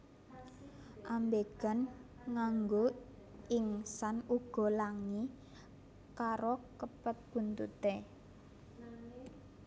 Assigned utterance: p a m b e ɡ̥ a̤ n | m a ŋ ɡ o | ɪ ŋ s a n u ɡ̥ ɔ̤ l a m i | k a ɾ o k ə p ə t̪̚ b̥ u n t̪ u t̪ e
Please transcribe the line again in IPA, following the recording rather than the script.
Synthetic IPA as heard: ʔ a m b e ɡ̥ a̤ n | ŋ a ŋ ɡ o | ɪ ŋ s a n u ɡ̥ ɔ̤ l a ŋ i | k a ɾ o k ə p ə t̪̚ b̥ u n t̪ u t̪ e